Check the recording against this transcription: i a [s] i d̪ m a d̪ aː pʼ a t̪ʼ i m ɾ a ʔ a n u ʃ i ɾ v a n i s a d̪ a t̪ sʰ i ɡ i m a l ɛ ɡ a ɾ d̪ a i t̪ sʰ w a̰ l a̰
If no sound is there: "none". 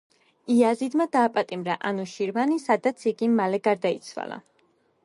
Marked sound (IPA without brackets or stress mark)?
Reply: z